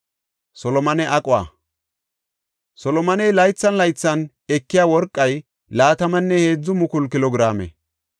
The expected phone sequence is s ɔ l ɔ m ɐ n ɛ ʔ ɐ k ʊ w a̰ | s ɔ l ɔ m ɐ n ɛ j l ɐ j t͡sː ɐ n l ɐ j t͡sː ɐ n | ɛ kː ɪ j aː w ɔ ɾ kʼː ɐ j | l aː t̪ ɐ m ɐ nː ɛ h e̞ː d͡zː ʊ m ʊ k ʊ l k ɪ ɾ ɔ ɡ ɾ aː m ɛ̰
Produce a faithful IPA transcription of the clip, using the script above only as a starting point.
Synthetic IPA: s ɔ l ɔ m ɐ n ɛ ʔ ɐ kʼ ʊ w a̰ | s ɔ l ɔ m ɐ n ɛ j l ɐ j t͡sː ɐ n l ɐ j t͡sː ɐ n | ɛ kː ɪ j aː w ɔ ɾ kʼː ɐ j | l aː t̪ ɐ m ɐ nː ɛ h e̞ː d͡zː ʊ m ʊ k ʊ l k ɪ l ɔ ɡ ɾ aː m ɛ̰